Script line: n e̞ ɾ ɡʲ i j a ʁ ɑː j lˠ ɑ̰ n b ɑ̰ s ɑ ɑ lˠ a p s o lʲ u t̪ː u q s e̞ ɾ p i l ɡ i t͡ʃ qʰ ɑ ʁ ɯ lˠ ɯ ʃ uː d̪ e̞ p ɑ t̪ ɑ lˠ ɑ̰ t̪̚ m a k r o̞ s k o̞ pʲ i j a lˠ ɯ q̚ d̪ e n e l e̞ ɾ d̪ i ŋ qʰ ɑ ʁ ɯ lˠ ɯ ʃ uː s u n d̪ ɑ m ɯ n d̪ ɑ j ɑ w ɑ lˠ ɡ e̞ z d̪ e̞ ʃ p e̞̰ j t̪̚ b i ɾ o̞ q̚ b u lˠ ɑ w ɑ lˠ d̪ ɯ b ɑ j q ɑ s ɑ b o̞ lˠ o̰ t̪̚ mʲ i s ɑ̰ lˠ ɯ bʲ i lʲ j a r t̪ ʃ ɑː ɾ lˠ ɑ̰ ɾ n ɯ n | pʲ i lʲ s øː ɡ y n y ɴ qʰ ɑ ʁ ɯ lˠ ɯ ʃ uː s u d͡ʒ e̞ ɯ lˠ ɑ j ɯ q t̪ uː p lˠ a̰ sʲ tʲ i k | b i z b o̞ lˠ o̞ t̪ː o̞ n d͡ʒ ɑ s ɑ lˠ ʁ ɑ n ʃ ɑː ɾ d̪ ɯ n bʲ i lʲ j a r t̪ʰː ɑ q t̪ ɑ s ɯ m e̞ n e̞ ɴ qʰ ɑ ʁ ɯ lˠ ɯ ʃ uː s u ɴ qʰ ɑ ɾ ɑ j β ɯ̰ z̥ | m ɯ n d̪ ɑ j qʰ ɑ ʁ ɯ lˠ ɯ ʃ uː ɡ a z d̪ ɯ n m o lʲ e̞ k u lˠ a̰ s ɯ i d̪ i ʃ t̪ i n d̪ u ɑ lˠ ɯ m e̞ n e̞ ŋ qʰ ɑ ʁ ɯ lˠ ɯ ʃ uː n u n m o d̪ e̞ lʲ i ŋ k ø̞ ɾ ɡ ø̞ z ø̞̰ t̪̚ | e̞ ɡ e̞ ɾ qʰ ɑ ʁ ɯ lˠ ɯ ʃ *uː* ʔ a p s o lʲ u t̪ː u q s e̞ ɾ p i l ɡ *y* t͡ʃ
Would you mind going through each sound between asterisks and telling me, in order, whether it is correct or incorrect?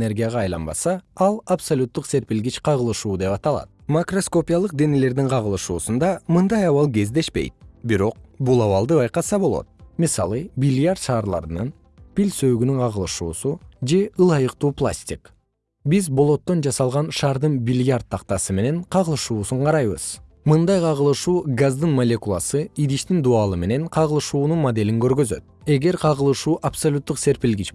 correct, incorrect

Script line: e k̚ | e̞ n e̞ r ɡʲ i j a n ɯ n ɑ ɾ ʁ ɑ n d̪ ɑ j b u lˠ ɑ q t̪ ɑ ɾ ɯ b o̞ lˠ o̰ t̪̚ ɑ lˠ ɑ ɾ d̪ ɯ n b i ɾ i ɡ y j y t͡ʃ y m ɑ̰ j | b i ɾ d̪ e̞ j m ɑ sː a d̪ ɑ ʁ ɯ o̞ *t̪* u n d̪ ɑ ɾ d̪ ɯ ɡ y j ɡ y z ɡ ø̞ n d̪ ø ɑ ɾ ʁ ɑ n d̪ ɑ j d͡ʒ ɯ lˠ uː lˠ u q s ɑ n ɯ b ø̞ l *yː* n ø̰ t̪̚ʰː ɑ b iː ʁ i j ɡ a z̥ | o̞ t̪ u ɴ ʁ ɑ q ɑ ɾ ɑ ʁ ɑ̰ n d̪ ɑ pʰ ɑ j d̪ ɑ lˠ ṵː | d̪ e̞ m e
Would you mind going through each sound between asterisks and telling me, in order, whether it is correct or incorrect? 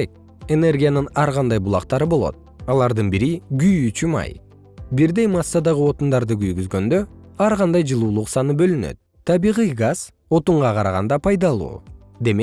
correct, incorrect

